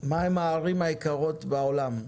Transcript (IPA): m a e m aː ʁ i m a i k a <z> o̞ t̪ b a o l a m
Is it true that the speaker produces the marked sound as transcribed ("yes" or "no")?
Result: no